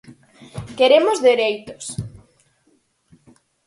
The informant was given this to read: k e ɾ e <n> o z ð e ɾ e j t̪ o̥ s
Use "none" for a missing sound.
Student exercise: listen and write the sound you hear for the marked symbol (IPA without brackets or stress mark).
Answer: m